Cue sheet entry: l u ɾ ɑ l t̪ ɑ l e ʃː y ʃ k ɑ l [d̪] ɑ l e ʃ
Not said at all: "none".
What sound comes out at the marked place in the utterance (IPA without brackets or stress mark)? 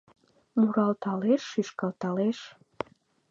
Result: t̪